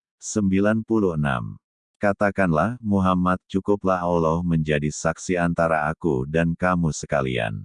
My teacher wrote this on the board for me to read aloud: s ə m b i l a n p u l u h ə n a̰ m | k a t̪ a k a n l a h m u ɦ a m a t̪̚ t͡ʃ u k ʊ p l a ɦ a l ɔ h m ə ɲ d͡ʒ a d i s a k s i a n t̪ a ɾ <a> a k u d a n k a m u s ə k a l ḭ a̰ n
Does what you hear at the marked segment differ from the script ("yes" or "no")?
no